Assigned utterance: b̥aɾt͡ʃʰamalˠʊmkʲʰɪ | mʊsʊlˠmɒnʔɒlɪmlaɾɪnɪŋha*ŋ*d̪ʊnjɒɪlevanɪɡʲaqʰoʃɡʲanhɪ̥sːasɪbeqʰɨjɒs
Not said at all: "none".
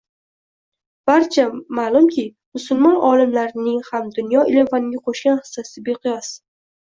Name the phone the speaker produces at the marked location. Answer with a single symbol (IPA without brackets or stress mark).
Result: m